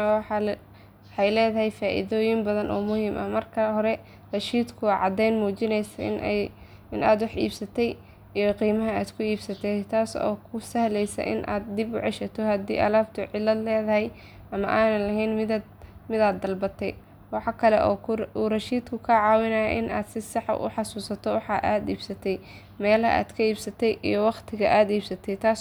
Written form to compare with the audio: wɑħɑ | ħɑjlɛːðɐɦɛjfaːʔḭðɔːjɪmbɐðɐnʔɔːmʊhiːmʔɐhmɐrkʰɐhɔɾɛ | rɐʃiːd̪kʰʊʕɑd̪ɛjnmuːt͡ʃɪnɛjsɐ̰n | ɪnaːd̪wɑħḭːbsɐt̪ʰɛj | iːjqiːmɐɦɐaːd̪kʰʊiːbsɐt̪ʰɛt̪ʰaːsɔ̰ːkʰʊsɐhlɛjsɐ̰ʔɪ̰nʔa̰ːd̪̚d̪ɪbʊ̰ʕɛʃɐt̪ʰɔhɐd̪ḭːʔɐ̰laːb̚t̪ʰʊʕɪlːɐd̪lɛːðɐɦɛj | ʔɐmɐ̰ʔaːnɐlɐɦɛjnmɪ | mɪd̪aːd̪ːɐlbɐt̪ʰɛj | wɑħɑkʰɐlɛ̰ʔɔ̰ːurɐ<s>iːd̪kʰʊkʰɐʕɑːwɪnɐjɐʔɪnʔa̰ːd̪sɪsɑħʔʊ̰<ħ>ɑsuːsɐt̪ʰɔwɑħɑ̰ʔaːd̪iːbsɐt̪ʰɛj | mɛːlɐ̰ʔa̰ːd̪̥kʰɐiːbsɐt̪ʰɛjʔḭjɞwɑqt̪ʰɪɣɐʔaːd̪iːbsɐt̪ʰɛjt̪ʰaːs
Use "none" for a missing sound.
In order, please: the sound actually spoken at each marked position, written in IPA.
ʃ, ħ

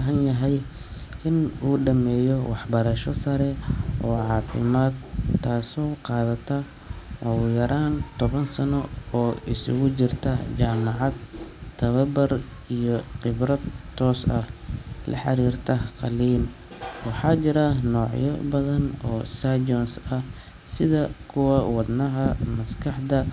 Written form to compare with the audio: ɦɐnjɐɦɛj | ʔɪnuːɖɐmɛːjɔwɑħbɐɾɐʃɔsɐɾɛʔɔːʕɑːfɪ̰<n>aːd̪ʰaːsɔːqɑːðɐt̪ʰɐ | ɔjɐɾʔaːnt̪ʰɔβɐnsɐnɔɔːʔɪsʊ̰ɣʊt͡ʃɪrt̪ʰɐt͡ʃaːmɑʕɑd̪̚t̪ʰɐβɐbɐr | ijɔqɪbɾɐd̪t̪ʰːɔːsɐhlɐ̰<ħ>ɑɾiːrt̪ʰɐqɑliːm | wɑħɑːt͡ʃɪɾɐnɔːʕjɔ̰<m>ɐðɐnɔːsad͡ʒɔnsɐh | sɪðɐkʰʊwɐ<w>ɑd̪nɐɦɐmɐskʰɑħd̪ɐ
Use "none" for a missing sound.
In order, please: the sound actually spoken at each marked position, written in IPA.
m, ħ, b, w

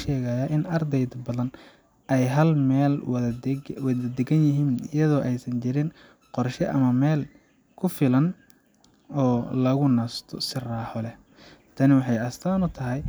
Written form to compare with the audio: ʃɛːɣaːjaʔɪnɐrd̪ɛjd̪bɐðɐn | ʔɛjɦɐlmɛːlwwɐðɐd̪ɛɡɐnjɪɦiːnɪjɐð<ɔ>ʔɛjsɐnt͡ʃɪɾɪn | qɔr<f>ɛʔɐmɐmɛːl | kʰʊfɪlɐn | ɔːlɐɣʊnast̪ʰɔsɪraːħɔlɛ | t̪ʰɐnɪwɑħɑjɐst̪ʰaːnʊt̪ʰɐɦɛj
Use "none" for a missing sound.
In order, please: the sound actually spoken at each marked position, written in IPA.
ɔː, ʃ

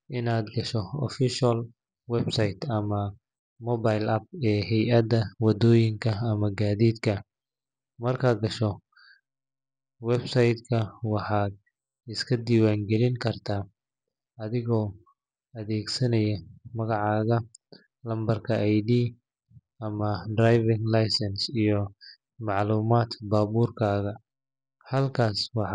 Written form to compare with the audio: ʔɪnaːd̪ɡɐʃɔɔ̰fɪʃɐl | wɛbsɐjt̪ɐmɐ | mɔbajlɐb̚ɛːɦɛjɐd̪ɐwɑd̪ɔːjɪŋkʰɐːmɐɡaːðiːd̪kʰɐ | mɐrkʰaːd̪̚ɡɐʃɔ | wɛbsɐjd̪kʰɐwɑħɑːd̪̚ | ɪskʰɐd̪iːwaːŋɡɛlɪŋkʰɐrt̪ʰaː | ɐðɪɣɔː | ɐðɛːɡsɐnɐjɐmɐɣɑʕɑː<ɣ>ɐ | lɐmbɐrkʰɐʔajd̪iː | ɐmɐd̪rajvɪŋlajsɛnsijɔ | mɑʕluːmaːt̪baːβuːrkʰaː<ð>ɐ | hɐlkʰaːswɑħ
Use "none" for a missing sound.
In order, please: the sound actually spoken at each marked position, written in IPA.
ɣ, ɣ

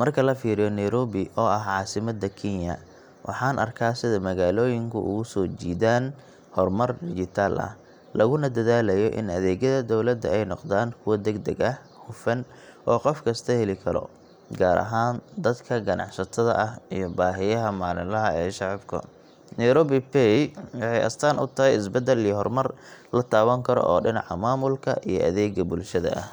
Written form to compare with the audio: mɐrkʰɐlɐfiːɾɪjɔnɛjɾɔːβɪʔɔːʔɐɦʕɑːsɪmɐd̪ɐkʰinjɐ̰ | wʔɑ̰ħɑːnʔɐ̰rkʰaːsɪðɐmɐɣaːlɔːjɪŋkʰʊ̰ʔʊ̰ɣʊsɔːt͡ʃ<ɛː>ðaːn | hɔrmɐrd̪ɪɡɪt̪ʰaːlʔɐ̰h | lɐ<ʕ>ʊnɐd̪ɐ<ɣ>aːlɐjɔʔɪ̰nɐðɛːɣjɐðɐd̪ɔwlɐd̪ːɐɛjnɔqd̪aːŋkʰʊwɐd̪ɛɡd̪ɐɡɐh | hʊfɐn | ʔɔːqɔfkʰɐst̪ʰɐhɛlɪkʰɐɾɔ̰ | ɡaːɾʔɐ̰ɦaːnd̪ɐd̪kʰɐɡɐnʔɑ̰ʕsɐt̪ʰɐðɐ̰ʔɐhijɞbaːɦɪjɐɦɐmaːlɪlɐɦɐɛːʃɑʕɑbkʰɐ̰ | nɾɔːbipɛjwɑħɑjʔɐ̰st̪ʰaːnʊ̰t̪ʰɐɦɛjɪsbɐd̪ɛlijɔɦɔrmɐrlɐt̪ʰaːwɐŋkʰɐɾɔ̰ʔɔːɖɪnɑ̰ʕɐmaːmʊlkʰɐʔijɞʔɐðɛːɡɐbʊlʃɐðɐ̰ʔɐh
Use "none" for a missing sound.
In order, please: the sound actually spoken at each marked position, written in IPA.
iː, ɣ, ð

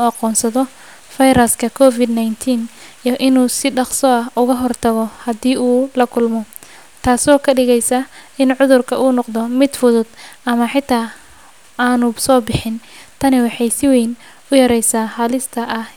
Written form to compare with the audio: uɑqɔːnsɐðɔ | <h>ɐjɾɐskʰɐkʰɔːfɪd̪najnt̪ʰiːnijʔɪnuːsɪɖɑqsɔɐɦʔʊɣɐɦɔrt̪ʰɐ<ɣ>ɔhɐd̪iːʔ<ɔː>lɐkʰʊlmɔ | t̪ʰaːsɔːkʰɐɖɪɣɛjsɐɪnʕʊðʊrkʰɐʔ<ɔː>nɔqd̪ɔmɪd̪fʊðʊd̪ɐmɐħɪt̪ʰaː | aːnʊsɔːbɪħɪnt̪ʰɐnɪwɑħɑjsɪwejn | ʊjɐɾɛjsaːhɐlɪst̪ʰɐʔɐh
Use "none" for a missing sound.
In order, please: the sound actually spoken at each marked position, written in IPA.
f, ɣ, uː, uː

